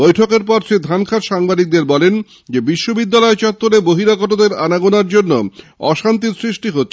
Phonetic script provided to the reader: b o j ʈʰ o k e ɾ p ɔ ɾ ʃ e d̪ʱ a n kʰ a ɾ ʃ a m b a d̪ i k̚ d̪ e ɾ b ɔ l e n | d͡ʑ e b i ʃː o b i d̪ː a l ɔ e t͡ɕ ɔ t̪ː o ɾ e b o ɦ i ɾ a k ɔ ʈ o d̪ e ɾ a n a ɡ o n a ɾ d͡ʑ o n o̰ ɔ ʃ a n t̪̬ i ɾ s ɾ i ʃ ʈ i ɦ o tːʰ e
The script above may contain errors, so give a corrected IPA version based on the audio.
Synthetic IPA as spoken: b o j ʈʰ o k e ɾ p ɔ ɾ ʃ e d̪ʱ a n kʰ a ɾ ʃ a ŋ b a d̪ i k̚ d̪ e ɾ b ɔ l e n | d͡ʑ e b i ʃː o b i d̪ː a l ɔ e t͡ɕ ɔ t̪ː o ɾ e b o ɦ i ɾ a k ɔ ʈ o d̪ e ɾ a n a ɡ o n a ɾ d͡ʑ o nː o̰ ɔ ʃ a n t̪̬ i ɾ s ɾ i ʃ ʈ i ɦ o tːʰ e